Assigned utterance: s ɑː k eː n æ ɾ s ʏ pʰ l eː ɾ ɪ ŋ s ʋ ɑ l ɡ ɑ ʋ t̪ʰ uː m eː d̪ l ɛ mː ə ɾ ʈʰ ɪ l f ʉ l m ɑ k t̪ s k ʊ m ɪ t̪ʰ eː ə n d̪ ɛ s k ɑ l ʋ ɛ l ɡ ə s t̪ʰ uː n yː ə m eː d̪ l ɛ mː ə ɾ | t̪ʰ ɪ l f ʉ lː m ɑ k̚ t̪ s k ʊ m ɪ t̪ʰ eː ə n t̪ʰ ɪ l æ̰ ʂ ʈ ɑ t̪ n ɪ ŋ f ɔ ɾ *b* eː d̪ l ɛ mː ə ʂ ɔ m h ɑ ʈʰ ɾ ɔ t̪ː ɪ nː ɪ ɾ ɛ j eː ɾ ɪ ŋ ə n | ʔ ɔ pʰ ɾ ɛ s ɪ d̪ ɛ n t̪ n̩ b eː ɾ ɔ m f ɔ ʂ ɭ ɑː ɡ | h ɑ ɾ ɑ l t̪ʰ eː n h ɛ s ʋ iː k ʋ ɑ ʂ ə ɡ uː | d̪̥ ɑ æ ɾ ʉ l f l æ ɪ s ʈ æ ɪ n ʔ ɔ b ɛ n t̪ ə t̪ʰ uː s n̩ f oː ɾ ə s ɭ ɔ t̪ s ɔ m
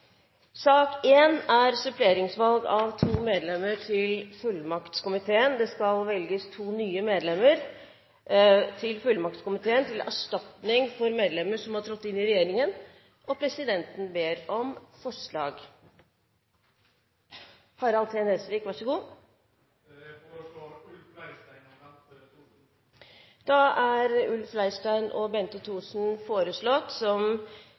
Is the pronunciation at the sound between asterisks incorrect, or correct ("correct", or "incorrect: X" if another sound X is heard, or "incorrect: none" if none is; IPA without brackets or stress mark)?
incorrect: m